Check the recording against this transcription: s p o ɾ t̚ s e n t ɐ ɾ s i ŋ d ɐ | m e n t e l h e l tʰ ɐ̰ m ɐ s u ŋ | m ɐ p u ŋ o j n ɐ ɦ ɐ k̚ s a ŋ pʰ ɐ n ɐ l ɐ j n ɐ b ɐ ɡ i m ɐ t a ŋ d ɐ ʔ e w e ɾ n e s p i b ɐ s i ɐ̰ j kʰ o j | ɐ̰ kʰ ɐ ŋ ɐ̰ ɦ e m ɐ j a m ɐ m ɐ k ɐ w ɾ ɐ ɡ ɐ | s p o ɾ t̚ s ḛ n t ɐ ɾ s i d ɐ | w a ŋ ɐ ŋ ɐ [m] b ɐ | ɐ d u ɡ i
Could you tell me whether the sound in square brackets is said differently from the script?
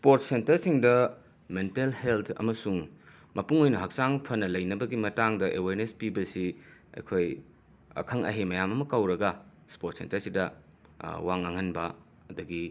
yes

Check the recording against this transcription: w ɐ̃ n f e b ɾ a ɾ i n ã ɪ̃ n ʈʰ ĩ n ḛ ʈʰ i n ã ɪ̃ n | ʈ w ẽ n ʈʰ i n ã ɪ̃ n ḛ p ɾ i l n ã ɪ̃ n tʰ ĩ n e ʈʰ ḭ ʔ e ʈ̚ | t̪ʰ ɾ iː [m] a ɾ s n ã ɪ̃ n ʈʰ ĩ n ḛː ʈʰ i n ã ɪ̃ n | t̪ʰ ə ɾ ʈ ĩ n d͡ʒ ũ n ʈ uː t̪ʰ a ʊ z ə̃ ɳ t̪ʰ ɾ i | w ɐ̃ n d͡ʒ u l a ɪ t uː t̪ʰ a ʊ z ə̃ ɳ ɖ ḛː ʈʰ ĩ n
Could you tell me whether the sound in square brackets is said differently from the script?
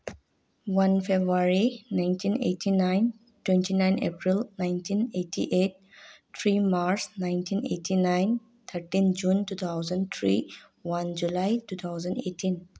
no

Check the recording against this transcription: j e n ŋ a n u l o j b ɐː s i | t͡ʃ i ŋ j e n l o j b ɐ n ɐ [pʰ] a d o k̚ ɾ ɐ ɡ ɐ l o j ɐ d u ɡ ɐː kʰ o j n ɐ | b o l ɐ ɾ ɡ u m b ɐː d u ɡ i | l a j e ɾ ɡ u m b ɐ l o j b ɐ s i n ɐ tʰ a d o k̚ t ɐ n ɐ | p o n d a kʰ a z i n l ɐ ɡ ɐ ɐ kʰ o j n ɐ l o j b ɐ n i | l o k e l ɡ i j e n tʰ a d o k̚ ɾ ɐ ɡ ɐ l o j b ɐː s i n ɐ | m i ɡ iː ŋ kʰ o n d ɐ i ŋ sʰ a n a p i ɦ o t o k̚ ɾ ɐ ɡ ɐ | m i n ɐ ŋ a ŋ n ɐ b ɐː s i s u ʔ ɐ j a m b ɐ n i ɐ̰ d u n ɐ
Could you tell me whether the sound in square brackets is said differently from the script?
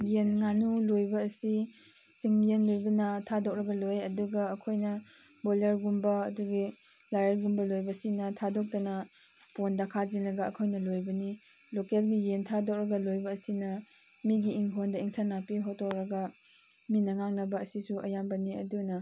yes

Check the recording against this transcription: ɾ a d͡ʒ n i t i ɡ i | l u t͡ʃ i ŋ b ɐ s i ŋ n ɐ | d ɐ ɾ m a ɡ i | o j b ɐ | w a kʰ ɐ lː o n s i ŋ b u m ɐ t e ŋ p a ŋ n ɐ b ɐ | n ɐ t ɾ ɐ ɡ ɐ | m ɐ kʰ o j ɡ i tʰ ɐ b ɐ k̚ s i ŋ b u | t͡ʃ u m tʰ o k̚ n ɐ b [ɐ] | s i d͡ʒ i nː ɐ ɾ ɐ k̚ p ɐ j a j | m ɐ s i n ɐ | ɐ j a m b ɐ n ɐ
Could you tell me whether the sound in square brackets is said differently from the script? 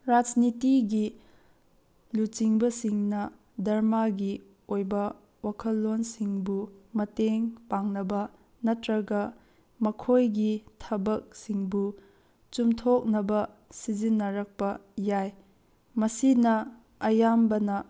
no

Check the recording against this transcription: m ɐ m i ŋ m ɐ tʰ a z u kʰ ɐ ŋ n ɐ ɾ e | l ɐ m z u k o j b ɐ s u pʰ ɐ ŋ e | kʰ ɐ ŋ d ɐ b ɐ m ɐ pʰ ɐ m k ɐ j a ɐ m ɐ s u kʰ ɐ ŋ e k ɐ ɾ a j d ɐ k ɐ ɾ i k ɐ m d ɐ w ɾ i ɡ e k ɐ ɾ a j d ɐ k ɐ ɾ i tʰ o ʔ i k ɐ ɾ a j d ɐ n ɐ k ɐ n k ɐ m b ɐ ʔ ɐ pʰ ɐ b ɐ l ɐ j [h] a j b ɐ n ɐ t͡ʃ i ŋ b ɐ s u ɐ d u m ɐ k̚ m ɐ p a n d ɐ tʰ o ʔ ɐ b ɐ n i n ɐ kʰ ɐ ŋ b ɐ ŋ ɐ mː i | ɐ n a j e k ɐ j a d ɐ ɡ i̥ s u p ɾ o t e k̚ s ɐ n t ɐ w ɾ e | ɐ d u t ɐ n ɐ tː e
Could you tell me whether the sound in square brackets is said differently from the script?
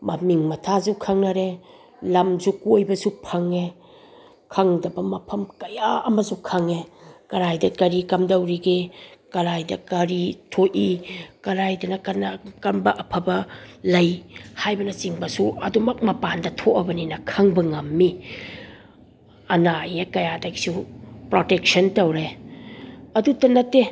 no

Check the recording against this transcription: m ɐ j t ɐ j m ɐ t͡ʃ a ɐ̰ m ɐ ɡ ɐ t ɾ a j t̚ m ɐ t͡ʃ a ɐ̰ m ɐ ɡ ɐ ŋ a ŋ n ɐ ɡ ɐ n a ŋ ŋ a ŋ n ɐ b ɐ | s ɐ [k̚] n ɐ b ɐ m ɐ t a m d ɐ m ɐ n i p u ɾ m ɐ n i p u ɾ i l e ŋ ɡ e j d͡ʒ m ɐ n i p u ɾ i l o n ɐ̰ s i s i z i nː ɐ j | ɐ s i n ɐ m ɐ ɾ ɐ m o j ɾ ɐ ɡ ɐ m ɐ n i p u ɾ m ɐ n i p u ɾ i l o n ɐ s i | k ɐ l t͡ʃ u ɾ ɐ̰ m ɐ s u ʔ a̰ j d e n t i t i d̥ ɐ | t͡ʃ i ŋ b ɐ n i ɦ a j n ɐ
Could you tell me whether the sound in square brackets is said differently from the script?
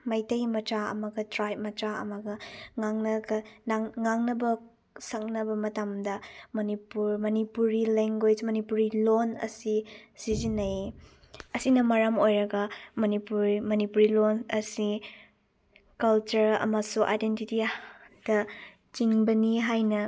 no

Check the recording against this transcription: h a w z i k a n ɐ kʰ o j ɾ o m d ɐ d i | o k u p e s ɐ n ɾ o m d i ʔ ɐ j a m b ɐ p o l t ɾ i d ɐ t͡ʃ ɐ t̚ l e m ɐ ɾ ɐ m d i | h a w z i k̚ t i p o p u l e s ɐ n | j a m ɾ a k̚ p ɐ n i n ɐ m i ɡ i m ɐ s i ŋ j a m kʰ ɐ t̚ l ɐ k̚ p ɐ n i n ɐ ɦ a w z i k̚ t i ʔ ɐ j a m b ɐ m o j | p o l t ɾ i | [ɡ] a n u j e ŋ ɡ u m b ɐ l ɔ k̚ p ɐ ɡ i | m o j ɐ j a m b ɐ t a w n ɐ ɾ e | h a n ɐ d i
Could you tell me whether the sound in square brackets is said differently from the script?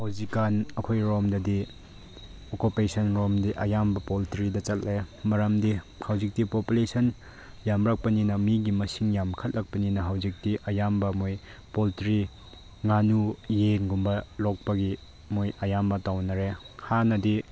yes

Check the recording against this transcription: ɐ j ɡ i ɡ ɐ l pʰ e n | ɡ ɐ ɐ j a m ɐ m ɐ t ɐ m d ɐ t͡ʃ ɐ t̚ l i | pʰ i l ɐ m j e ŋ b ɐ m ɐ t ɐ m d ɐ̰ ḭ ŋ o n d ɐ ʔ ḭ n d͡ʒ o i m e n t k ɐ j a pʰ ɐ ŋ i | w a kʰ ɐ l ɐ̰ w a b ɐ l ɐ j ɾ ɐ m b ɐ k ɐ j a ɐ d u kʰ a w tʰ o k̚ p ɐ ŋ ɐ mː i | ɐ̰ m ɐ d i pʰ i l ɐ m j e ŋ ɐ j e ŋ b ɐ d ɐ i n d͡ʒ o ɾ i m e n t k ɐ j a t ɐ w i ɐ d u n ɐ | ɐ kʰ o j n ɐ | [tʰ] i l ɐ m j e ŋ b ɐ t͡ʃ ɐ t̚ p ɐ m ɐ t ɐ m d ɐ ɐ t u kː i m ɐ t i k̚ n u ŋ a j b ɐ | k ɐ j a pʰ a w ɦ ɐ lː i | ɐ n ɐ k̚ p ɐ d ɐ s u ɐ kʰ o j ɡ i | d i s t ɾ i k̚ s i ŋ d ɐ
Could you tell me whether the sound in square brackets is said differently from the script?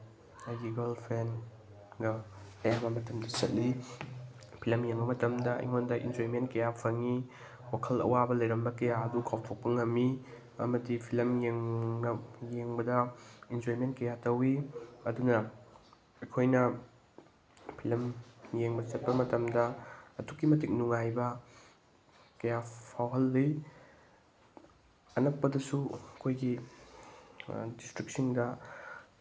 yes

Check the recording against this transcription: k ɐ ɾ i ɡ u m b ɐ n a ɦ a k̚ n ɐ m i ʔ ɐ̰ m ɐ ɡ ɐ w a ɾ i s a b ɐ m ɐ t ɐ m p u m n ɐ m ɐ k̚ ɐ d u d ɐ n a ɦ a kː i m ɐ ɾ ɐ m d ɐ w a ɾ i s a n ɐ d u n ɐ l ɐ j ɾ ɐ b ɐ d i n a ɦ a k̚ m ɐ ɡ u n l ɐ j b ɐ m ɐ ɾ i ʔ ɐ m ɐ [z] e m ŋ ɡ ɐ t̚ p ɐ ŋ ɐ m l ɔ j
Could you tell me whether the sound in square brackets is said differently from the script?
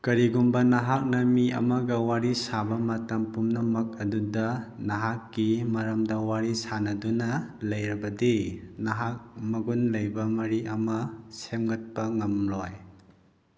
yes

